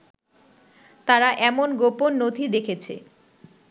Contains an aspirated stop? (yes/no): yes